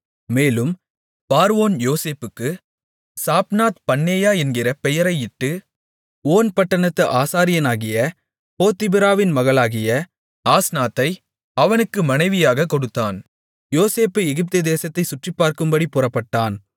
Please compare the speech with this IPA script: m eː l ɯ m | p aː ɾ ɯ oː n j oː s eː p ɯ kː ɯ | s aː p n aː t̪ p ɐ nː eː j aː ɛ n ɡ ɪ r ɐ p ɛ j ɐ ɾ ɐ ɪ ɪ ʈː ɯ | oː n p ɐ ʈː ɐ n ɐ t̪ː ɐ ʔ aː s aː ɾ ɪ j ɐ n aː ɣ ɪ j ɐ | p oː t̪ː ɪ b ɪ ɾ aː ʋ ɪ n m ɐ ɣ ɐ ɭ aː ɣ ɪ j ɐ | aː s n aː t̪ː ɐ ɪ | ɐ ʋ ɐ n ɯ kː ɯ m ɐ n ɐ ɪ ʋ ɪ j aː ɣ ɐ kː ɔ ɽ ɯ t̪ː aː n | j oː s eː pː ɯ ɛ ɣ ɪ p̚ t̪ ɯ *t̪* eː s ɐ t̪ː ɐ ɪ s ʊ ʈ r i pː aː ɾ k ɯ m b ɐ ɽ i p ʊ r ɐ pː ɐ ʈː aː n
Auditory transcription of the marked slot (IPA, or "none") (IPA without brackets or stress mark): d̪